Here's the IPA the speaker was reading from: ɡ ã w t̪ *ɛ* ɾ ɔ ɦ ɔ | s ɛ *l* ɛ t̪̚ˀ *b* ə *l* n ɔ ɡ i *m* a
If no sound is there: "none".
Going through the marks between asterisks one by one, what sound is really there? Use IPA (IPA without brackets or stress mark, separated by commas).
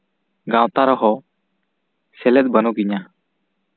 a, l, b, none, ɲ